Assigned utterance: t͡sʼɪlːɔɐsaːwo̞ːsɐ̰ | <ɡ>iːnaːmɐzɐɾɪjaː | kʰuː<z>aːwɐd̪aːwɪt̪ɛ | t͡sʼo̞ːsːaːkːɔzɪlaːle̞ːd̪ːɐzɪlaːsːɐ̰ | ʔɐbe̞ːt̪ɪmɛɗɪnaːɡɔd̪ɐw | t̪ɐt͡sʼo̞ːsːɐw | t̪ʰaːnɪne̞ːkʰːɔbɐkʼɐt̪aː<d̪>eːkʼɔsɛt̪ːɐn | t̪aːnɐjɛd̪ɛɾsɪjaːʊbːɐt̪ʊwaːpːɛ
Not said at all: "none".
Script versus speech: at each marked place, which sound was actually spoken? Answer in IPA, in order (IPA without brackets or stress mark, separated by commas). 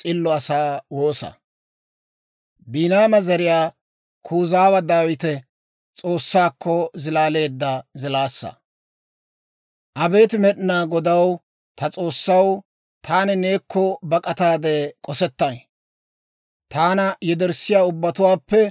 b, z, d̪